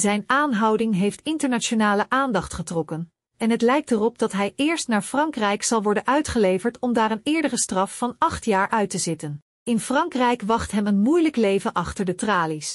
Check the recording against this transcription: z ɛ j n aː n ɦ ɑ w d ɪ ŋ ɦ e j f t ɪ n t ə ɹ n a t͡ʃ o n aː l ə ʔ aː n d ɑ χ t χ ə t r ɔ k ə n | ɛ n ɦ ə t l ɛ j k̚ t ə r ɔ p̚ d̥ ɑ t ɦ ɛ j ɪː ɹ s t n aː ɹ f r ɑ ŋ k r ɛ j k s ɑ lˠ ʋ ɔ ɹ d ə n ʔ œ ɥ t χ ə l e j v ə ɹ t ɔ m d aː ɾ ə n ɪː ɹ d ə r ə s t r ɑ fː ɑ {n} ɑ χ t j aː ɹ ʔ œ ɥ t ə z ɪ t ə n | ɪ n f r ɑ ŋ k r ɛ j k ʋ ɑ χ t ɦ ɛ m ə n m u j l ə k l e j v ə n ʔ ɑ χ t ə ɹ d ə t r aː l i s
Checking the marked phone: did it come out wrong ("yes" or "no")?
no